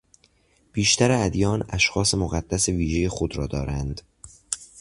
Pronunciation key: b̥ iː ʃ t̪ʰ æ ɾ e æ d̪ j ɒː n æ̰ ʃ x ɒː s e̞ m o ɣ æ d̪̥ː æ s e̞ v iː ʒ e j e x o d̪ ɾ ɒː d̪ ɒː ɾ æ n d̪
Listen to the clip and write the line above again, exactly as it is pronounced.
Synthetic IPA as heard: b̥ iː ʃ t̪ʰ æ ɾ e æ d̪ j ɒː n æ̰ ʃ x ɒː s e̞ m o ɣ æ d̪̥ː æ s e̞ v iː ʒ e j e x o d̪ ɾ ɒː d̪ ɒː ɾ æ n d̪